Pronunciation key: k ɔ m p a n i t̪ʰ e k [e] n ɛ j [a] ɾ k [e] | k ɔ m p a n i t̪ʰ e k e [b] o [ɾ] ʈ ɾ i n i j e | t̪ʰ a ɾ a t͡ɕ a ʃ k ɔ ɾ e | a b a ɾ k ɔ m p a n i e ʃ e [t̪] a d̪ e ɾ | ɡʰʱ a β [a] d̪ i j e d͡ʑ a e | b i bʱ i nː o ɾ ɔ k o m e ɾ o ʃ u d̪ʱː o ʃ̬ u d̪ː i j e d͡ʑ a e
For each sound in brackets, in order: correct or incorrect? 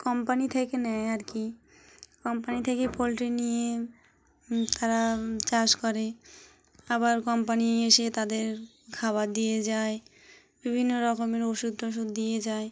correct, correct, incorrect, incorrect, incorrect, correct, correct

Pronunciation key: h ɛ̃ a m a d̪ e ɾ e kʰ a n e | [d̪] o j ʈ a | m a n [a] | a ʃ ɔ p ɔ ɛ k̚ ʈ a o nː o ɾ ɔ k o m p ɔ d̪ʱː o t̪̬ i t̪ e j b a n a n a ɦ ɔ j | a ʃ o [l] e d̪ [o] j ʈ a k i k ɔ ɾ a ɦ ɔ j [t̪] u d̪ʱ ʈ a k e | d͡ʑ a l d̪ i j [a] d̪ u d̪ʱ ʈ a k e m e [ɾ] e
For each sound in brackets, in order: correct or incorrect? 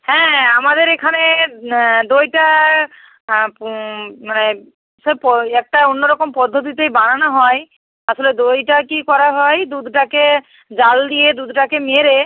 correct, incorrect, correct, correct, incorrect, incorrect, correct

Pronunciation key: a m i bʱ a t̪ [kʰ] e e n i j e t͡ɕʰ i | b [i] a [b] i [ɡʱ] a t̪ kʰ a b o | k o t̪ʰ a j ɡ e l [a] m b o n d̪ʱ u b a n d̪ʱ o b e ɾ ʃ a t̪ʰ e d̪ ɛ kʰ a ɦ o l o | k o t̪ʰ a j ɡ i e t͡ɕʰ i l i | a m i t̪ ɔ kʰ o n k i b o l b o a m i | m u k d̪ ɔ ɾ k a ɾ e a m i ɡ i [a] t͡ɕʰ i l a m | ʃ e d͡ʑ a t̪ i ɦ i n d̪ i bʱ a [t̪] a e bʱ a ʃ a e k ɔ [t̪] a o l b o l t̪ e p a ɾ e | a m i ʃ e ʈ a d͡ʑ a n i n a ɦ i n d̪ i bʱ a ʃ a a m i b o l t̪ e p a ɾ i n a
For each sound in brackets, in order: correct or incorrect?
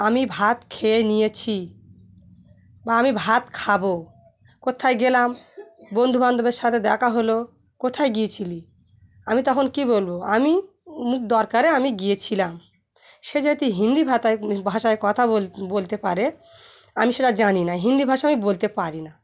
correct, incorrect, incorrect, incorrect, correct, incorrect, correct, incorrect

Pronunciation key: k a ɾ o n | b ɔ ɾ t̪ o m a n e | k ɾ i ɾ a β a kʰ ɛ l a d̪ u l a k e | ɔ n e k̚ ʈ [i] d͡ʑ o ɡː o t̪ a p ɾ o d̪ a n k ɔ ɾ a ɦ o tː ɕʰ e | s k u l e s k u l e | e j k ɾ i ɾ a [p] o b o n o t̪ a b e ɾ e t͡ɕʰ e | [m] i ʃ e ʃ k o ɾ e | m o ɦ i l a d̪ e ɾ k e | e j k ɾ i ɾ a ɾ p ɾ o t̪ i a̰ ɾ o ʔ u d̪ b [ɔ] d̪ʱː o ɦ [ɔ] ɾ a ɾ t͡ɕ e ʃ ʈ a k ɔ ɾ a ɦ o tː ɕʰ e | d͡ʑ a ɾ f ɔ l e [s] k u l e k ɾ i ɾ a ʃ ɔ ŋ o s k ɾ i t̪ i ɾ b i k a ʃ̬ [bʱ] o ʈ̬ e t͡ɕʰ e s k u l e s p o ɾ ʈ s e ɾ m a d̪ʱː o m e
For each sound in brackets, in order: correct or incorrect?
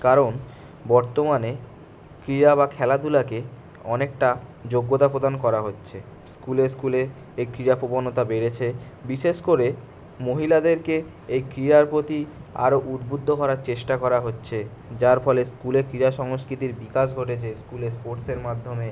incorrect, correct, incorrect, incorrect, correct, correct, incorrect

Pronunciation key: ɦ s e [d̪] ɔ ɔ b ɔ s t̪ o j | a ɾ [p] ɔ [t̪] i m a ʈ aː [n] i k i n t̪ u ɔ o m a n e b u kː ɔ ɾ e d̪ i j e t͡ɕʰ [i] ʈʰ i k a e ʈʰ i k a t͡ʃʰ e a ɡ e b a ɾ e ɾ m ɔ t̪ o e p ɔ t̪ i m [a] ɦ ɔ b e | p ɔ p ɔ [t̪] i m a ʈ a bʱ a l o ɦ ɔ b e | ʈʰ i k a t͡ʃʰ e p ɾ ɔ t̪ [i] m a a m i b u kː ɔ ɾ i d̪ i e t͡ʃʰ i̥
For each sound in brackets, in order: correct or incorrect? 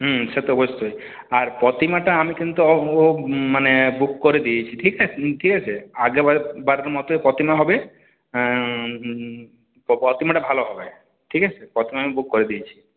incorrect, correct, correct, incorrect, correct, correct, correct, correct

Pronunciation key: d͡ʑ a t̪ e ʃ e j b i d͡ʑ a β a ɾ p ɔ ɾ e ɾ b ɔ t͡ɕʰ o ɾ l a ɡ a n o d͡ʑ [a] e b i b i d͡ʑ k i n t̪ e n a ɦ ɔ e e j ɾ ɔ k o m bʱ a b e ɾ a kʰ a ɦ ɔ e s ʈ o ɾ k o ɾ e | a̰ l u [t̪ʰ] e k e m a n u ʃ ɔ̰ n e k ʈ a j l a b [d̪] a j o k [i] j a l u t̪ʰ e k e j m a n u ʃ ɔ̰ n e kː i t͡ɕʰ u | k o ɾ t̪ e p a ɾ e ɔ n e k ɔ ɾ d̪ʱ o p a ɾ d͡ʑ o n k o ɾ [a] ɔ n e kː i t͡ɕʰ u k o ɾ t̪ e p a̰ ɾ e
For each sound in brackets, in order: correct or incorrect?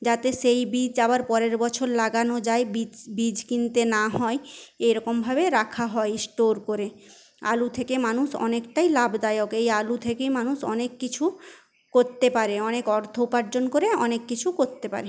correct, correct, correct, incorrect, incorrect

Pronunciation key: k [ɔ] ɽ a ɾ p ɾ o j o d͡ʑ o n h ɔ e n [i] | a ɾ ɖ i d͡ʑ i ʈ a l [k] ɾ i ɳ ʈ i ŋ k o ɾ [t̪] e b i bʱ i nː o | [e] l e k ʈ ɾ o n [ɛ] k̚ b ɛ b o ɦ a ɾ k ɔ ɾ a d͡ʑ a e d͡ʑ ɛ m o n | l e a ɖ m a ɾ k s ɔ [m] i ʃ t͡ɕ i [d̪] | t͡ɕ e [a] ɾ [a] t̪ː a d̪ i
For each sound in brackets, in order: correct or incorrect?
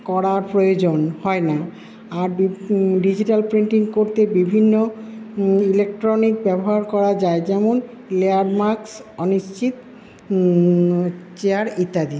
correct, incorrect, incorrect, correct, incorrect, incorrect, incorrect, incorrect, correct, incorrect

